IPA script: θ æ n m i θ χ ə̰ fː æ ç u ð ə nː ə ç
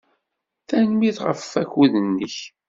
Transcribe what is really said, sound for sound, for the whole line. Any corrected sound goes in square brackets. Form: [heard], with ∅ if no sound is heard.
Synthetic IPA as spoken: θ æ n m i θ [ʁ] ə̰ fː æ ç u ð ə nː ə ç